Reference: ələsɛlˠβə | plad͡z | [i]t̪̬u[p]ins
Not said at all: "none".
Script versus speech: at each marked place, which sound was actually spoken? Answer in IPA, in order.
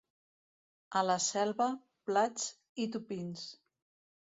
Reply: i, p

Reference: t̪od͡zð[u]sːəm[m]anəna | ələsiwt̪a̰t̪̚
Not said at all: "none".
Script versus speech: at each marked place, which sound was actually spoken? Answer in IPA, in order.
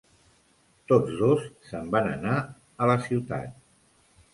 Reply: o, b

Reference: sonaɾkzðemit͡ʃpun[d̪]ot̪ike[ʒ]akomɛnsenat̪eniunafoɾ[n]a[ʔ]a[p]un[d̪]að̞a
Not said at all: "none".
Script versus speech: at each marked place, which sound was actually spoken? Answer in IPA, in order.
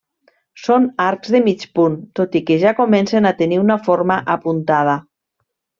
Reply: t̪, ʒ, m, ʔ, p, t̪

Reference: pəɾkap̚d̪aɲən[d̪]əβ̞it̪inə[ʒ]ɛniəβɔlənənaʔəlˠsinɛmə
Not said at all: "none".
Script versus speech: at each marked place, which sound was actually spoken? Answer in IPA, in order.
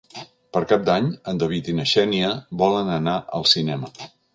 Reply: d̪, ʃ

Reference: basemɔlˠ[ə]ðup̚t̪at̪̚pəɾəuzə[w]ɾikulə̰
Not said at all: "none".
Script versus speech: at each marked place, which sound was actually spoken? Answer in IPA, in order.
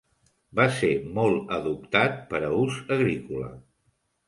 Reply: ə, ɣ

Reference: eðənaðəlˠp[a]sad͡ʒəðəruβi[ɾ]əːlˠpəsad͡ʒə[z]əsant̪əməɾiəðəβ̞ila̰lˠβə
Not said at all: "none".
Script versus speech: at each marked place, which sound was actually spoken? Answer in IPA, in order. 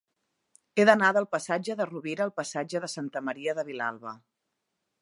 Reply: ə, ɾ, ð

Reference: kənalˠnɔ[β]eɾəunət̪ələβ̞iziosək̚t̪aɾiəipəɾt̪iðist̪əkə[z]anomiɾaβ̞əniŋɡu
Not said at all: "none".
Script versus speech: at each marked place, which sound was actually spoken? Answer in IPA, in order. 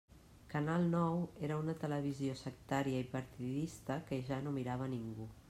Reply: w, ʒ

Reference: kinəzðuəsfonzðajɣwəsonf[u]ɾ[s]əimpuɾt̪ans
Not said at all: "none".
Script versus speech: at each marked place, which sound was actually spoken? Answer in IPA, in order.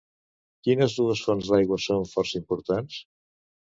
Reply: ɔ, s

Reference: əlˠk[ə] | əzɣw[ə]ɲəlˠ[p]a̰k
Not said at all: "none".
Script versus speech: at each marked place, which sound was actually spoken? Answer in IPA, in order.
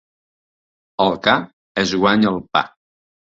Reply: a, a, p

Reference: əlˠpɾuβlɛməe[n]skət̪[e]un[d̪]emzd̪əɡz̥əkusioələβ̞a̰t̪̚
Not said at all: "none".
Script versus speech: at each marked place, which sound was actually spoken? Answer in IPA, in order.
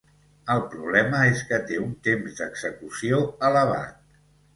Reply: none, e, t̪

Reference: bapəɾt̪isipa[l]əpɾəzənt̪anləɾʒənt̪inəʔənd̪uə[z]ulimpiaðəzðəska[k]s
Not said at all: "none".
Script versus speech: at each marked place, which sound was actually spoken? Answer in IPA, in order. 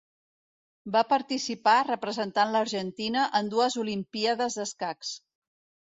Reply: r, z, k

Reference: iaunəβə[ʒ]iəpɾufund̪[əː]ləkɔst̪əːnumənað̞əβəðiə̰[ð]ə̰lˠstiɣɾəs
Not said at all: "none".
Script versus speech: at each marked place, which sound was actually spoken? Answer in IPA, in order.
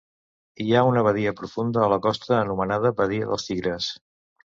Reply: ð, əː, ð

